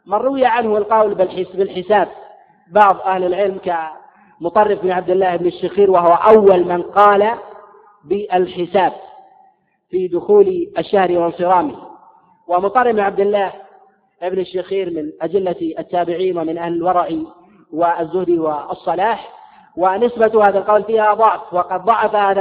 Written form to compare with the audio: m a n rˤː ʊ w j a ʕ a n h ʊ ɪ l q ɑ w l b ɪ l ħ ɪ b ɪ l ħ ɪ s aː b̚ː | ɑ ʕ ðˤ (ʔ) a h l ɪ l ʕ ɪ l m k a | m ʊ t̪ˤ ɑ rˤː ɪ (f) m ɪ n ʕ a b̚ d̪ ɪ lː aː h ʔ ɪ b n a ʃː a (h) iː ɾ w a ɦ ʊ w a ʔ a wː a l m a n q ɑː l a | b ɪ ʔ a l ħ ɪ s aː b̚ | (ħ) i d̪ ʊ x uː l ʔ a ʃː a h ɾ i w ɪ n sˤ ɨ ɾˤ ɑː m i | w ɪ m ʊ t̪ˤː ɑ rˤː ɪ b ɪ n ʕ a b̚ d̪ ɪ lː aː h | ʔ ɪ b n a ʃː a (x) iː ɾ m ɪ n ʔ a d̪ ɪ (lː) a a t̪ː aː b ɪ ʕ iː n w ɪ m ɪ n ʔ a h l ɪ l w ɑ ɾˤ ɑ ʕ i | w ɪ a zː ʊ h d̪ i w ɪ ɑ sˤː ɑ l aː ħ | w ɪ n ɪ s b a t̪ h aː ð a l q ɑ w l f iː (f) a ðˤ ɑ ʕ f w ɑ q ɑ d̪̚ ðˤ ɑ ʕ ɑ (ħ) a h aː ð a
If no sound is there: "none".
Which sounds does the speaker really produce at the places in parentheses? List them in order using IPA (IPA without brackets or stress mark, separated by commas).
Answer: ʔ, f, x, f, x, lː, h, f